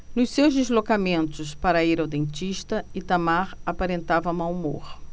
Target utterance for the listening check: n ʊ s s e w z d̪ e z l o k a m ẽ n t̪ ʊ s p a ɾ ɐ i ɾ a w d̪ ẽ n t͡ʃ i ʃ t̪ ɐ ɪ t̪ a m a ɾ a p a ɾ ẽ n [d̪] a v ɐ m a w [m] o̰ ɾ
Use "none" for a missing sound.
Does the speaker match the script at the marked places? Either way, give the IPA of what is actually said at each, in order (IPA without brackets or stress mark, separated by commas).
t̪, m